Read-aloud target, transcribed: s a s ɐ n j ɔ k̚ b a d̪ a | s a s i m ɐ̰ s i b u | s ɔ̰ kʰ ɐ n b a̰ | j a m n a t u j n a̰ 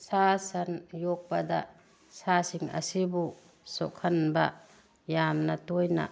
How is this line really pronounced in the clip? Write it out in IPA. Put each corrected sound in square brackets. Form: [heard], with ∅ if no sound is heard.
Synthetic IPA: s a s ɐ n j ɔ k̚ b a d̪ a | s a s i [ŋ] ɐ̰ s i b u | s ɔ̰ kʰ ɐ n b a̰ | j a m n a t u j n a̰